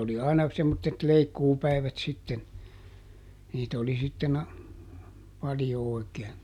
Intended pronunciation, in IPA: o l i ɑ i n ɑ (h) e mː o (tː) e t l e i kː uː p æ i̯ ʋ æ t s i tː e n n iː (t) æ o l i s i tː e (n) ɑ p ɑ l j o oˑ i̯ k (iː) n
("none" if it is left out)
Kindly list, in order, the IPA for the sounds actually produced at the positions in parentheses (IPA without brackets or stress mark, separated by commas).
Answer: s, tː, t, n, eː